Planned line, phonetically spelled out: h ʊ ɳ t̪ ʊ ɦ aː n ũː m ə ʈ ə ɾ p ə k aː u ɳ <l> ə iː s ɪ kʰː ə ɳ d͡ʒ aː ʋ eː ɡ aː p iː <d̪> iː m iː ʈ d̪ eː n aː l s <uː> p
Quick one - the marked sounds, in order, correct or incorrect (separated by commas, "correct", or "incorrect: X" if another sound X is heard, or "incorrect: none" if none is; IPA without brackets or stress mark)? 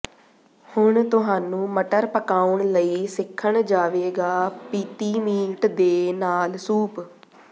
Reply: correct, incorrect: t̪, correct